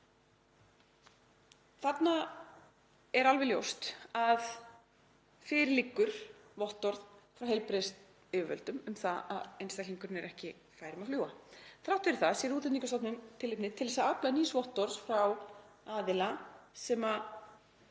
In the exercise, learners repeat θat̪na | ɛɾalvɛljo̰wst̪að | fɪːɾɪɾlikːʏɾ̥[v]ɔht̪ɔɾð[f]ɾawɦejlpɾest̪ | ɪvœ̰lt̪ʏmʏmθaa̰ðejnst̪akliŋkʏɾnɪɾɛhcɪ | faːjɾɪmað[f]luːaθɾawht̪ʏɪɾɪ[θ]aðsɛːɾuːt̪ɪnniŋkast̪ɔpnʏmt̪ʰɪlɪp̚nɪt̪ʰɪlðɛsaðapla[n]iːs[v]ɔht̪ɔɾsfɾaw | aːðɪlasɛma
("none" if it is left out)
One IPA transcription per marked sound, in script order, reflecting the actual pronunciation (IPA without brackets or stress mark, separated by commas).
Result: v, f, f, θ, n, v